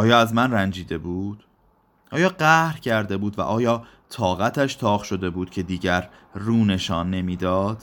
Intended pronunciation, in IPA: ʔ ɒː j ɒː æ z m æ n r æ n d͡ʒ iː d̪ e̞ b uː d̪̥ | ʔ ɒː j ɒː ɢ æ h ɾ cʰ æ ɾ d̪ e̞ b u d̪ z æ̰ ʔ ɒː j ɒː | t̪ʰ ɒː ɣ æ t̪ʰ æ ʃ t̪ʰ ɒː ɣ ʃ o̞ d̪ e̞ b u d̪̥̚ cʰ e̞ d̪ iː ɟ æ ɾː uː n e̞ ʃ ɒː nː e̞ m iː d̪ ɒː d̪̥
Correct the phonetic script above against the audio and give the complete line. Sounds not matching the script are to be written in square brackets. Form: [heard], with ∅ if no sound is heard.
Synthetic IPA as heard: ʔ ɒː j ɒː æ z m æ n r æ n d͡ʒ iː d̪ e̞ b uː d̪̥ | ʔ ɒː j ɒː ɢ æ h ɾ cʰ æ ɾ d̪ e̞ b [uː] d̪ [v] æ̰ ʔ ɒː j ɒː | t̪ʰ ɒː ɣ æ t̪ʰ æ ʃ t̪ʰ ɒː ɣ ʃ o̞ d̪ e̞ b [uː] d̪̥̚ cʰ e̞ d̪ iː ɟ æ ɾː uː n e̞ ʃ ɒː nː e̞ m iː d̪ ɒː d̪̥